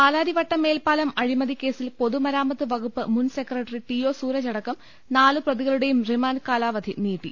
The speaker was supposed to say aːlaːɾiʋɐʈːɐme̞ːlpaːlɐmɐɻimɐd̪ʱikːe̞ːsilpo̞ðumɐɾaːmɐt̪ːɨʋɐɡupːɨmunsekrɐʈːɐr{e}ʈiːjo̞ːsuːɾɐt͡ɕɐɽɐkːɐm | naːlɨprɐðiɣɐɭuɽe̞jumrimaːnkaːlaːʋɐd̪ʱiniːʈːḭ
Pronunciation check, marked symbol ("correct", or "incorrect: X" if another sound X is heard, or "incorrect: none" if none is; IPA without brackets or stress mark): incorrect: i